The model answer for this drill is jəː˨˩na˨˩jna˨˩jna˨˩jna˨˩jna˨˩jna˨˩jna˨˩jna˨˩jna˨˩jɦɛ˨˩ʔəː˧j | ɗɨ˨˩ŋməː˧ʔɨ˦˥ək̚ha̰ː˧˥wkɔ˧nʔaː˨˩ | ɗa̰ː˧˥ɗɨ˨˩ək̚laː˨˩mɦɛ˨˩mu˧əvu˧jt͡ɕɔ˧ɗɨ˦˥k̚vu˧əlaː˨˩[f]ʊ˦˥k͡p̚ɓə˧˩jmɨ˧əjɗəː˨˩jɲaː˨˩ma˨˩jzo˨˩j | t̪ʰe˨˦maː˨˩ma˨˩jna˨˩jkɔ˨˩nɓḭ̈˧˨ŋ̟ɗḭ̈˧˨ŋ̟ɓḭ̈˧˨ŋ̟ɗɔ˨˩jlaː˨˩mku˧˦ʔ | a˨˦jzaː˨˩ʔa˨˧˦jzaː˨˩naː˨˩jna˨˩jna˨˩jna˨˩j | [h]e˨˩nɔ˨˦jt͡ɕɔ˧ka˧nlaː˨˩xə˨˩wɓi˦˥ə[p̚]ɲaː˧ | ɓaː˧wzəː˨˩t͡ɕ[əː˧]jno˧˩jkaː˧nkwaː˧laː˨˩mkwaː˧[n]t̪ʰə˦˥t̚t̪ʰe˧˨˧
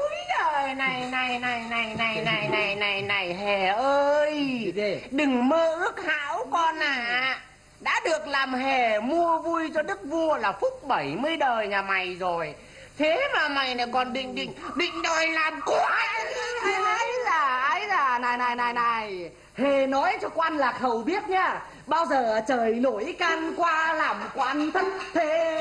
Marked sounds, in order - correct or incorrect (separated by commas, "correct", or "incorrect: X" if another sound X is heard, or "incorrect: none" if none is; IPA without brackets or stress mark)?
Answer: correct, correct, incorrect: t̚, incorrect: əː˨˩, correct